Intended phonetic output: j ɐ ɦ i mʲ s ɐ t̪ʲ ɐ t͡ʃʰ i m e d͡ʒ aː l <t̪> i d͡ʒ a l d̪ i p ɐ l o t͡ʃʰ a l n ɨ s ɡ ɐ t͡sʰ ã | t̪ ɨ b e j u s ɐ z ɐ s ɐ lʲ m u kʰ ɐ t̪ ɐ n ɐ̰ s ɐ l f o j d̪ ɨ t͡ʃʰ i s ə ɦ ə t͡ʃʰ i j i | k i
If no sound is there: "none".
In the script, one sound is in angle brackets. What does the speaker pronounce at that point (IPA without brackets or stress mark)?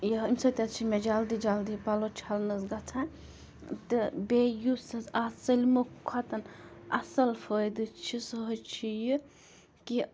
d̪